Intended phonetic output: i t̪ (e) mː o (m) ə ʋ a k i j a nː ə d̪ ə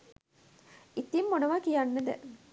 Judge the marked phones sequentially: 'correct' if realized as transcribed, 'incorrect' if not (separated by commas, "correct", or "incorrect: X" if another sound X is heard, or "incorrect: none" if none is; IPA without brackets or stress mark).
incorrect: i, incorrect: n